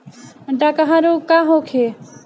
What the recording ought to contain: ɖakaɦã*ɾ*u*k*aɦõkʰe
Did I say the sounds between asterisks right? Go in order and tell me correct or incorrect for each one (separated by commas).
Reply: correct, correct